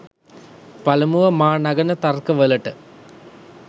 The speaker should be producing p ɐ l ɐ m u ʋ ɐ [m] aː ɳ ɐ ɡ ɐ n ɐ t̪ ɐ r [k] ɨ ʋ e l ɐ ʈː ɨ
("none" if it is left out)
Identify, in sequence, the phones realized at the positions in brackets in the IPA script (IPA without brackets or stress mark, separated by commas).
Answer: m, k